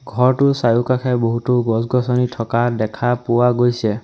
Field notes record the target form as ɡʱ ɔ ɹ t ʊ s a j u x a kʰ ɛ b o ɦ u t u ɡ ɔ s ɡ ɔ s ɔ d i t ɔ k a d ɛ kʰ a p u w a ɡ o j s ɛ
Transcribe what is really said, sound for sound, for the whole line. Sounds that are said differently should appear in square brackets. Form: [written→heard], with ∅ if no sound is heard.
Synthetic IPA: ɡʱ ɔ ɹ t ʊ s a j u [x→k] a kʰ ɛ b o ɦ u t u ɡ ɔ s ɡ ɔ s ɔ [d→n] i [t→tʰ] ɔ k a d ɛ kʰ a p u w a ɡ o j s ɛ

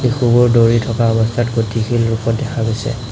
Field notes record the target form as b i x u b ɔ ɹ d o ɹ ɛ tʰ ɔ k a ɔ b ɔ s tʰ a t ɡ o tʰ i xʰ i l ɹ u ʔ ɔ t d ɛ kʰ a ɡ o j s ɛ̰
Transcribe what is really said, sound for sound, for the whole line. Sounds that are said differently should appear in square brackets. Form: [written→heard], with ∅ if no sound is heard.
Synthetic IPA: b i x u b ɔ ɹ d o ɹ [ɛ→i] tʰ ɔ k a ɔ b ɔ s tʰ a t ɡ o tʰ i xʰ i l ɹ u [ʔ→p] ɔ t d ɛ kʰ a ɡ o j s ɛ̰

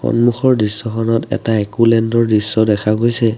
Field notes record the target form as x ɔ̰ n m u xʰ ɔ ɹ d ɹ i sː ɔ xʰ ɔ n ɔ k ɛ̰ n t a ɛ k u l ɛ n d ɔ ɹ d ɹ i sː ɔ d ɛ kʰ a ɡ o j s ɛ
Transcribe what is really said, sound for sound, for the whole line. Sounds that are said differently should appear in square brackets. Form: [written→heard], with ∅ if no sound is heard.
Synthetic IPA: x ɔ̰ n m u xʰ ɔ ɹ d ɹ i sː ɔ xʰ ɔ n ɔ [k→t] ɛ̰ [n→∅] t a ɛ k u l ɛ n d ɔ ɹ d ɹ i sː ɔ d ɛ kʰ a ɡ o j s ɛ

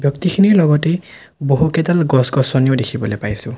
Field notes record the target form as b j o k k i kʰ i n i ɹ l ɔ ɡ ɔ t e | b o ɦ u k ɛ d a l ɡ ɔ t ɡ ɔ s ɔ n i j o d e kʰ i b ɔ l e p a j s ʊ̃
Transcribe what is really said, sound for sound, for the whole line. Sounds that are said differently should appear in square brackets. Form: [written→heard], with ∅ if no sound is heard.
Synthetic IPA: b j [o→ɔ] k [k→t] i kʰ i n i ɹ l ɔ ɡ ɔ t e | b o ɦ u k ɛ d a l ɡ ɔ [t→s] ɡ ɔ s ɔ n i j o d e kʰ i b ɔ l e p a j s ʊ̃

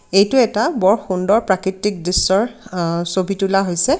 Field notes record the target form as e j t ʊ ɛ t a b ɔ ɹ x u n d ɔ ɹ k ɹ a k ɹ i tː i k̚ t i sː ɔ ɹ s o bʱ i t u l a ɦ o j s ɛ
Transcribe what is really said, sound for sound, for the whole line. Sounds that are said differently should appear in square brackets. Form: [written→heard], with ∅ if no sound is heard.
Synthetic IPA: e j t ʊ ɛ t a b ɔ ɹ x u n d ɔ ɹ [k→p] ɹ a k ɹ i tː i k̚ [t→d] i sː ɔ ɹ s o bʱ i t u l a ɦ o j s ɛ

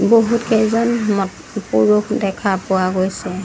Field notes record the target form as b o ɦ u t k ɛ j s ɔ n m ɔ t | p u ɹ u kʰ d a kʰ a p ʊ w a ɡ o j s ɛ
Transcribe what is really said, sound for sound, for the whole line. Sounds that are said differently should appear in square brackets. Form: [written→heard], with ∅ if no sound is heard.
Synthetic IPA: b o ɦ u t k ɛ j [s→z] ɔ n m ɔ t | p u ɹ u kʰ d [a→ɛ] kʰ a p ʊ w a ɡ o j s ɛ

